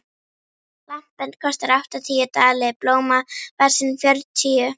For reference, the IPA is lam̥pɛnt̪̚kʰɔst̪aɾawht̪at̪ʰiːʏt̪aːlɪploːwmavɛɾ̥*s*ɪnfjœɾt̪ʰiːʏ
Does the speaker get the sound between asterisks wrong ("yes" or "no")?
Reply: no